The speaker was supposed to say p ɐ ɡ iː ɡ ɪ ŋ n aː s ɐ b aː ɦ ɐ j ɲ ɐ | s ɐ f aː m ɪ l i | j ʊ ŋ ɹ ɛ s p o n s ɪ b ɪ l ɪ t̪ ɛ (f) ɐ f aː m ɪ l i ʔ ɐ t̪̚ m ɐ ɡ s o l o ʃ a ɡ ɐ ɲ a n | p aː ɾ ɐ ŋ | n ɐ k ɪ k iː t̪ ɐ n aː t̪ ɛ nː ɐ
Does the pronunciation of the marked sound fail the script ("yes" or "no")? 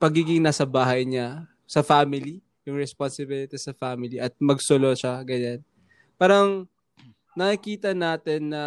yes